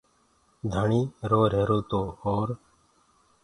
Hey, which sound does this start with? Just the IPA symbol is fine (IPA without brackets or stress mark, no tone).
d̪ʱ